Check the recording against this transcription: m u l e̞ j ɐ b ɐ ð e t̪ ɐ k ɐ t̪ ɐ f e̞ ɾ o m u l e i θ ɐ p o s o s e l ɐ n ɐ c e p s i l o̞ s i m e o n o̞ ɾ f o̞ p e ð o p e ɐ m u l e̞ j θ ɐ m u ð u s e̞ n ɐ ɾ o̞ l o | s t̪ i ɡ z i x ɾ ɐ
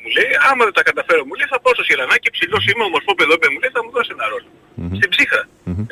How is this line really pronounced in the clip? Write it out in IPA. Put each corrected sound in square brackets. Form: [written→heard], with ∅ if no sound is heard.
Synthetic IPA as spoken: m u l e̞ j ɐ [b→m] ɐ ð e t̪ ɐ k ɐ t̪ ɐ f e̞ ɾ o m u l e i θ ɐ p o s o s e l ɐ n ɐ c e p s i l o̞ s i m e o [n→m] o̞ ɾ f o̞ p e ð o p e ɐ m u l e̞ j θ ɐ m u ð [u→o] s e̞ n ɐ ɾ o̞ l o | s t̪ i [ɡ→b] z i x ɾ ɐ